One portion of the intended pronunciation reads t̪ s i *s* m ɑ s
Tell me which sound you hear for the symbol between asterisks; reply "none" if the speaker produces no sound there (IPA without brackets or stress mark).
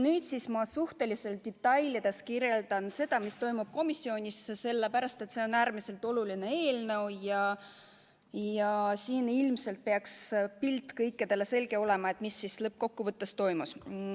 s